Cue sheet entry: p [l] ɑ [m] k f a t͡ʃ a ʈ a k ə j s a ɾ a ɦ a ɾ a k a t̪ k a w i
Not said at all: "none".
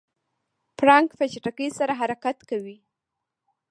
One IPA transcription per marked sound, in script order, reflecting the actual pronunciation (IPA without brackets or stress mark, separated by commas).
ɾ, ŋ